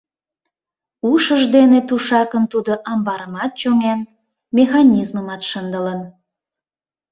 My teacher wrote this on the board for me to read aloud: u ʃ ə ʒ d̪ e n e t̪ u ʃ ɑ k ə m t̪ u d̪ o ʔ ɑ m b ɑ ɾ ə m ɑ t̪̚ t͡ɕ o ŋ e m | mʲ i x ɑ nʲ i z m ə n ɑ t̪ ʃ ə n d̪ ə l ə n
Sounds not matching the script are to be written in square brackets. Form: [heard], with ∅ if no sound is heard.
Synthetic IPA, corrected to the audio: u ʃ ə ʒ d̪ e n e t̪ u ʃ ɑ k ə [n] t̪ u d̪ o ʔ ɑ m b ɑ ɾ ə m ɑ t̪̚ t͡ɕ o ŋ e [n] | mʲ [e] x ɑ nʲ i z m ə [m] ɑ t̪ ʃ ə n d̪ ə l ə n